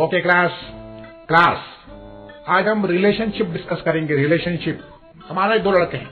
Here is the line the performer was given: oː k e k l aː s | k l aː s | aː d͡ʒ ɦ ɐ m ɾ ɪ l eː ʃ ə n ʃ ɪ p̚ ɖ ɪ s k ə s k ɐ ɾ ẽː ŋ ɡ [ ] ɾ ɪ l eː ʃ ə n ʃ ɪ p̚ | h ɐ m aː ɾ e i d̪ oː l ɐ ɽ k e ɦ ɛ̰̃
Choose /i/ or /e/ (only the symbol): e